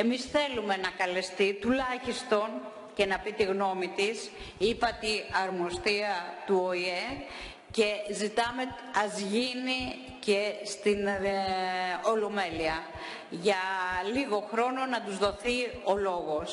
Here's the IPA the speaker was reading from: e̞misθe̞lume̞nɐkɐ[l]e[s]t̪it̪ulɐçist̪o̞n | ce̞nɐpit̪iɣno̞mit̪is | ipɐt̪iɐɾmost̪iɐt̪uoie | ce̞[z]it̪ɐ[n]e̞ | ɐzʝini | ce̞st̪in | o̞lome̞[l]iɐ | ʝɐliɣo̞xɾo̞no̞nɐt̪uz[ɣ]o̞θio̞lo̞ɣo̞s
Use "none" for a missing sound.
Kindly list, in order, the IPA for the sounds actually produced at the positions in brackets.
l, s, z, m, l, ð

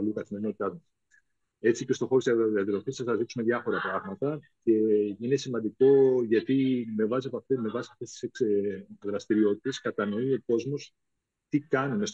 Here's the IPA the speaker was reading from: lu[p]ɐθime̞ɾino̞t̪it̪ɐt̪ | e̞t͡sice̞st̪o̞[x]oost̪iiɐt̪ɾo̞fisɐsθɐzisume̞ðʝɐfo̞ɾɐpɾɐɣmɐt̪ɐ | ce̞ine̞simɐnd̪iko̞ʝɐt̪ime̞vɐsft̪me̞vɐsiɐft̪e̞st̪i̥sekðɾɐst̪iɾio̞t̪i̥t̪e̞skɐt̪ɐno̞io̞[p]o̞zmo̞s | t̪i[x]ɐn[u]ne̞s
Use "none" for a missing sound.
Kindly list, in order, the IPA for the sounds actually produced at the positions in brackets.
k, x, k, k, u

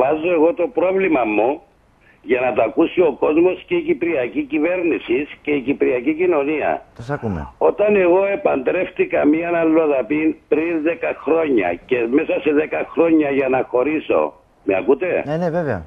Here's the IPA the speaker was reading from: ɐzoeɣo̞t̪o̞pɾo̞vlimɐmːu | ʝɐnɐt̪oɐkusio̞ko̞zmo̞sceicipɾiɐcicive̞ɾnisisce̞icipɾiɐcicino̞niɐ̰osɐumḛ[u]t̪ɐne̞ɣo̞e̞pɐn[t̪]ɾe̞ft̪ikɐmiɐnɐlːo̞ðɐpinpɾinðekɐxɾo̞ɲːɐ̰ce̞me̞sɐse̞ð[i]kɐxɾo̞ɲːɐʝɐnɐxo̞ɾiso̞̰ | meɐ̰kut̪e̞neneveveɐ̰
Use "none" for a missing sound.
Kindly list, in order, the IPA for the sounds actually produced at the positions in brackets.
o, d̪, e

